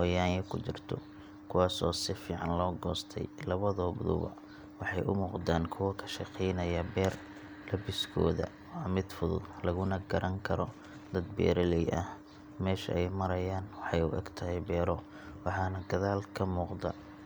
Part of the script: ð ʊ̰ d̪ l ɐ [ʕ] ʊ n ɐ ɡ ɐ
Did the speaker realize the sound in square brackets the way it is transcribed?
no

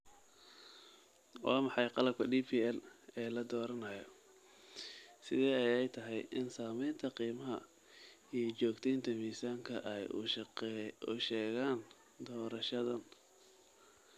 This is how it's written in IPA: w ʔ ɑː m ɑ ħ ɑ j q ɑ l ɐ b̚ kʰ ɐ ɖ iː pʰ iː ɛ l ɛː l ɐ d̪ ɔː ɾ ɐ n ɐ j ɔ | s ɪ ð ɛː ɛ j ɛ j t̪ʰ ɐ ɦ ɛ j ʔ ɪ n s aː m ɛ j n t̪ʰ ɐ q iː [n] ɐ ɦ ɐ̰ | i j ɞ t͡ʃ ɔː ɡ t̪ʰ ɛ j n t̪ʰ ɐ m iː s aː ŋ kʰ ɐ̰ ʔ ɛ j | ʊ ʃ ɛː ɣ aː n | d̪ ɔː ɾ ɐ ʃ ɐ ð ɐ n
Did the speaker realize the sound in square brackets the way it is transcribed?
no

